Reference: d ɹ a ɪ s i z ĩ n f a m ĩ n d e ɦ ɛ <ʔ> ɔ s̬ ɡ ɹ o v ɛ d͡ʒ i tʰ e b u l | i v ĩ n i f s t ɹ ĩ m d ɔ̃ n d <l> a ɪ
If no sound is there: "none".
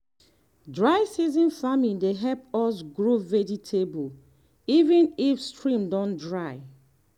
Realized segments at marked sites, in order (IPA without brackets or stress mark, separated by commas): p, ɹ